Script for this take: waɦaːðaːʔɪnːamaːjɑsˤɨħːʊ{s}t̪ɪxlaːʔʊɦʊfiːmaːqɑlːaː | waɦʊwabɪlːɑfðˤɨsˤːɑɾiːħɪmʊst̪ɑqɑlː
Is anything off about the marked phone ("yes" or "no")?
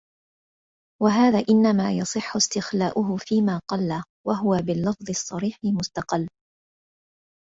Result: no